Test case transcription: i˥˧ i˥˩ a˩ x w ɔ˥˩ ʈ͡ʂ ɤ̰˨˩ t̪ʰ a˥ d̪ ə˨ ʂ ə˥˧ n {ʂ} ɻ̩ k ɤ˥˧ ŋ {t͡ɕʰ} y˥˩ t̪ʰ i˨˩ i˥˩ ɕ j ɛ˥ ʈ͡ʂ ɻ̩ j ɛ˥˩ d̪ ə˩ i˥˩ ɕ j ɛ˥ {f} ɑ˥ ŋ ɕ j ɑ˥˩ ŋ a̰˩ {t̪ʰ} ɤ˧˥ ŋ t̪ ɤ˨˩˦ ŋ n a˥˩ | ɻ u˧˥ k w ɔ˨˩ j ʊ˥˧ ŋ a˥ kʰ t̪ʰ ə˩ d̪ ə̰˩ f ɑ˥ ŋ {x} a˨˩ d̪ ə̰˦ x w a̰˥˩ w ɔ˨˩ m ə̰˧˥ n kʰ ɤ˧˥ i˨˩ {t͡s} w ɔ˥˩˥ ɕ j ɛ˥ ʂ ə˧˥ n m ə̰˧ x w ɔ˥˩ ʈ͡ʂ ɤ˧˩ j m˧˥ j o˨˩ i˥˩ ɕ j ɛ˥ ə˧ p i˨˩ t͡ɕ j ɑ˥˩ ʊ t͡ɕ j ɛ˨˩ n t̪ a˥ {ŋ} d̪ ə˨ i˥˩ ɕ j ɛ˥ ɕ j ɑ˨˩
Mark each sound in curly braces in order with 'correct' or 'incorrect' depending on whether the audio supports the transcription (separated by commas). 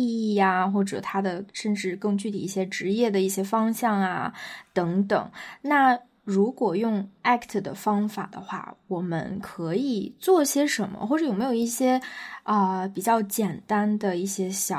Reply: incorrect, incorrect, correct, incorrect, incorrect, correct, incorrect